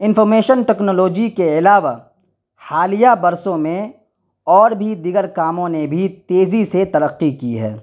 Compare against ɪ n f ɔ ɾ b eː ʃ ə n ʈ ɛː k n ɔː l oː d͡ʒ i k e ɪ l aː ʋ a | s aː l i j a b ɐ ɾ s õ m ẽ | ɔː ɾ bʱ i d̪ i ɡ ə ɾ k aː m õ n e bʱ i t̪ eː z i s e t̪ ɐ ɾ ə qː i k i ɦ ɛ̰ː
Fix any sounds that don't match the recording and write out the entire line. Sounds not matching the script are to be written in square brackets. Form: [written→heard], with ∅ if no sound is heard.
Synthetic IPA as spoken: ɪ n f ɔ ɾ [b→m] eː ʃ ə n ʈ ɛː k n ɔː l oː d͡ʒ i k e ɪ l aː ʋ a | [s→h] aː l i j a b ɐ ɾ s õ m ẽ | ɔː ɾ bʱ i d̪ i ɡ ə ɾ k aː m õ n e bʱ i t̪ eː z i s e t̪ ɐ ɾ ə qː i k i ɦ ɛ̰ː